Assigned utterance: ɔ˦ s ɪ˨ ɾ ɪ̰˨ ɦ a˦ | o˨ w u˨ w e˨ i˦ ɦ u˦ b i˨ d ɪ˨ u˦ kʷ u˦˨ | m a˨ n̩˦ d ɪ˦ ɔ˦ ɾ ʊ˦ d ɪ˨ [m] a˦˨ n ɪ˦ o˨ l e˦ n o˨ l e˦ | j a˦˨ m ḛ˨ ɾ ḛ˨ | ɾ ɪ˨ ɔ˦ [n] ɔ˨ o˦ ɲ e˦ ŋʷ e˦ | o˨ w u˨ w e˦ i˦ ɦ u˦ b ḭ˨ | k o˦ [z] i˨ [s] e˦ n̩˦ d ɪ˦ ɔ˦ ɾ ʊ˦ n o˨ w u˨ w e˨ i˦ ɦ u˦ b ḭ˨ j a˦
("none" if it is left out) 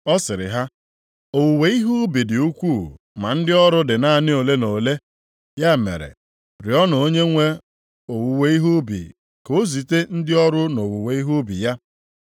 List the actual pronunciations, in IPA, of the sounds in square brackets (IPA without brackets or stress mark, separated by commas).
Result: n, n, z, t